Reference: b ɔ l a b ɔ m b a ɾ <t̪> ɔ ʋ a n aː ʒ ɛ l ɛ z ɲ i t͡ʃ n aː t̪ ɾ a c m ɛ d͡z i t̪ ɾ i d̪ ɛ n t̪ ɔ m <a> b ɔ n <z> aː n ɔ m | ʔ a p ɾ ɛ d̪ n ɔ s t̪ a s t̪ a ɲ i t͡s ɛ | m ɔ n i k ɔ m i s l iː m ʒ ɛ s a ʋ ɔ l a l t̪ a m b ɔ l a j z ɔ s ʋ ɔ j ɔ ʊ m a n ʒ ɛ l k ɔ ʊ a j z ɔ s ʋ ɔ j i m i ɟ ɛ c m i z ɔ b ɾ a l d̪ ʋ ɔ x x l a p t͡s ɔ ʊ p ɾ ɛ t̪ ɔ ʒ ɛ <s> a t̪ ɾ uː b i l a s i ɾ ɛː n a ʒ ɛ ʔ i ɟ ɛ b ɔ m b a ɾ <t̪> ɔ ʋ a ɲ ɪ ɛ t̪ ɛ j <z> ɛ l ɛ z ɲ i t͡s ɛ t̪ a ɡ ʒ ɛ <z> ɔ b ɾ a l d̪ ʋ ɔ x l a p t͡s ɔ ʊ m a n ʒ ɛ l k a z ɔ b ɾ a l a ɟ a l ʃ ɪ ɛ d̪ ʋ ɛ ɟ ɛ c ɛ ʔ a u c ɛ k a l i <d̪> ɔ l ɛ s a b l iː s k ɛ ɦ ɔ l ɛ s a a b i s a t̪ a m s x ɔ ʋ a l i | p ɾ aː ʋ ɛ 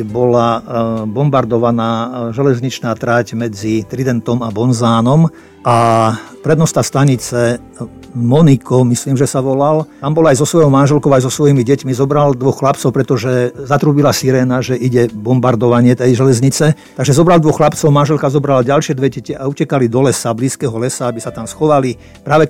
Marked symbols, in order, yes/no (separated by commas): no, yes, yes, no, no, no, yes, yes